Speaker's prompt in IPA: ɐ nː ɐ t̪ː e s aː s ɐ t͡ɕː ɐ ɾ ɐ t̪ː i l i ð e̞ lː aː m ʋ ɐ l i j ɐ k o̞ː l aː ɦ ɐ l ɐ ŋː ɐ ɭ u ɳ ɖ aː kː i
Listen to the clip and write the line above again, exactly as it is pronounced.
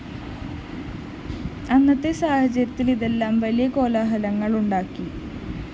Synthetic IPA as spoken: ɐ nː ɐ t̪ː e s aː h ɐ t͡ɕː ɐ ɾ ɐ t̪ː i l i ð e̞ lː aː m ʋ ɐ l i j ɐ k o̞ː l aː ɦ ɐ l ɐ ŋː ɐ ɭ u ɳ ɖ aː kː i